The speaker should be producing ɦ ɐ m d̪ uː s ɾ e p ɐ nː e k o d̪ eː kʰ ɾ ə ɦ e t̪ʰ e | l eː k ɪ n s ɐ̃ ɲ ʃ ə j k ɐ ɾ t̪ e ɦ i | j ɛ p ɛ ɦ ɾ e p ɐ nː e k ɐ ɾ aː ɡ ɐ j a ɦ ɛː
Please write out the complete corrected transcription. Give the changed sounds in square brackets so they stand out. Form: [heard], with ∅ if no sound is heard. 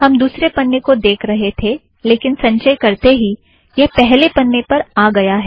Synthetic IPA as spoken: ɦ ɐ m d̪ uː s ɾ e p ɐ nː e k o d̪ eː kʰ ɾ [ɐ] ɦ e t̪ʰ e | l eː k ɪ n s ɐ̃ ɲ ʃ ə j k ɐ ɾ t̪ e ɦ i | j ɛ p ɛ ɦ [l] e p ɐ nː e [p] ɐ ɾ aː ɡ ɐ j a ɦ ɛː